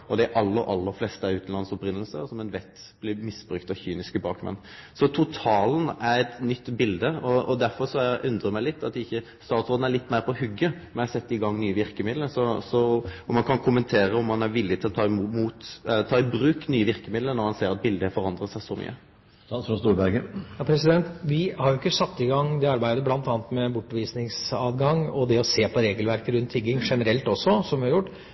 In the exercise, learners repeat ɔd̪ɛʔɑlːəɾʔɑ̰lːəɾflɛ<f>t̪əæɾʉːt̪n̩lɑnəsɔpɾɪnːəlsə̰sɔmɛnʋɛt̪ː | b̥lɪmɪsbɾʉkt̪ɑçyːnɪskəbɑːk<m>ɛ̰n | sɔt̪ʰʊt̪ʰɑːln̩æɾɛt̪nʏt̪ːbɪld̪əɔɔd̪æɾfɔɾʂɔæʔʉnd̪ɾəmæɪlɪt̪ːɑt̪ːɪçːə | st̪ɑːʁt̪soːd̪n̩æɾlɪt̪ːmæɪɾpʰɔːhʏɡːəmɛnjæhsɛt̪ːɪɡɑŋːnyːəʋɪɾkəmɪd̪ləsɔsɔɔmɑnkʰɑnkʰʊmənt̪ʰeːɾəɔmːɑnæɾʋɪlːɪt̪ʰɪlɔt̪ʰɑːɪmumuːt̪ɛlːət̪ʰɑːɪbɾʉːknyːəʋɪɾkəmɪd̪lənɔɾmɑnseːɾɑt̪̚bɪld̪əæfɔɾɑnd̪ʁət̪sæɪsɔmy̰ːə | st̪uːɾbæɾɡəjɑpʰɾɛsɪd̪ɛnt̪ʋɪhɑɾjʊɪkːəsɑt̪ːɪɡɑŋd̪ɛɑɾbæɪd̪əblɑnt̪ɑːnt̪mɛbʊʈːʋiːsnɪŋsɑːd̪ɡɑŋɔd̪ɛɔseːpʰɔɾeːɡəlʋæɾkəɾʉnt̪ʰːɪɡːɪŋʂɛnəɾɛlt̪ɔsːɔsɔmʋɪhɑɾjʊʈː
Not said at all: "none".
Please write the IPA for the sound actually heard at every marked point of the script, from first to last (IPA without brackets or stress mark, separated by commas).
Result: s, m